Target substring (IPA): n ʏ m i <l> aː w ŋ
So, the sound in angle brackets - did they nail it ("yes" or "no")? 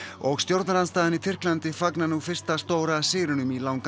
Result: yes